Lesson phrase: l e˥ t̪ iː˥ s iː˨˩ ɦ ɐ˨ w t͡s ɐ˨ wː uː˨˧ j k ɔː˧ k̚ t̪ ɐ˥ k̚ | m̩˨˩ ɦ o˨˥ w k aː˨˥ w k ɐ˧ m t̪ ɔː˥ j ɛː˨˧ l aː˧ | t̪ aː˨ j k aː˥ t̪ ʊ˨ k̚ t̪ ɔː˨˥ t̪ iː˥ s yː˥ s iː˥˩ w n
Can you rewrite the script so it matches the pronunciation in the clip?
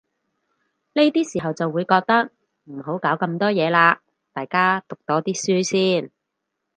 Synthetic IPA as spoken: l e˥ t̪ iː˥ s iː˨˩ ɦ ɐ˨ w t͡s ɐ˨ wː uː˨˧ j k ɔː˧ k̚ t̪ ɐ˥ k̚ | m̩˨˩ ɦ o˨˥ w k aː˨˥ w k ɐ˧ m t̪ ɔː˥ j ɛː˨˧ l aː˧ | t̪ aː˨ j k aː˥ t̪ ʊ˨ k̚ t̪ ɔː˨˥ t̪ iː˥ s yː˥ s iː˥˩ n